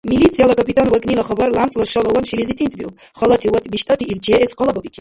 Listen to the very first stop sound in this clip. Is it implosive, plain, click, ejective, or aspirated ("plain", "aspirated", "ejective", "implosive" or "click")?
plain